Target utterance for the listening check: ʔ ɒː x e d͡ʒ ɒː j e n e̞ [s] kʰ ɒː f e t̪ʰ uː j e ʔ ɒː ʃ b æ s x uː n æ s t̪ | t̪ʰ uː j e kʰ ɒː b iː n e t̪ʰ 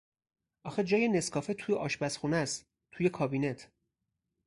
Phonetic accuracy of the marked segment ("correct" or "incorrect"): correct